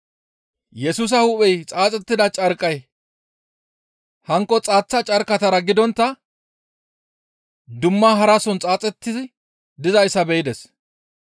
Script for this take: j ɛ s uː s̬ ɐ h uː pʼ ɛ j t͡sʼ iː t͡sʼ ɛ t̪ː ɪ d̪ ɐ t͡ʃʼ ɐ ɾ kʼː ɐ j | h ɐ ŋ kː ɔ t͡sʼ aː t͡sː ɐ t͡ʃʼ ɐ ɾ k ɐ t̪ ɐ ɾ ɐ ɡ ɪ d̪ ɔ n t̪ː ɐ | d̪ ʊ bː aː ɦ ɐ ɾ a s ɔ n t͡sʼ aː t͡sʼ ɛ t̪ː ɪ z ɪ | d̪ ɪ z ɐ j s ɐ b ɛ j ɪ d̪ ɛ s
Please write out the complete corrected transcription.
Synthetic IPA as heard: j ɛ s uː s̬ ɐ h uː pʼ ɛ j t͡sʼ aː t͡sʼ ɛ t̪ː ɪ d̪ ɐ t͡ʃʼ ɐ ɾ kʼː ɐ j | h ɐ ŋ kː ɔ t͡sʼ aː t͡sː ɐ t͡ʃʼ ɐ ɾ k ɐ t̪ ɐ ɾ ɐ ɡ ɪ d̪ ɔ n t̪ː ɐ | d̪ ʊ mː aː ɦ ɐ ɾ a s ɔ n t͡sʼ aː t͡sʼ ɛ t̪ː ɪ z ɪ | d̪ ɪ z ɐ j s ɐ b ɛ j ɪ d̪ ɛ s